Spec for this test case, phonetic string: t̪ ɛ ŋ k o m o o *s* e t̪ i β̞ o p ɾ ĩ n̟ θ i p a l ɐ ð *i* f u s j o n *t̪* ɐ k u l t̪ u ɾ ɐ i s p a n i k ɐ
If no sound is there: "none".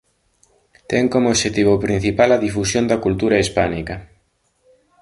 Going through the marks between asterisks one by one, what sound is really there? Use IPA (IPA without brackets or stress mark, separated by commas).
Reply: ʃ, i, d̪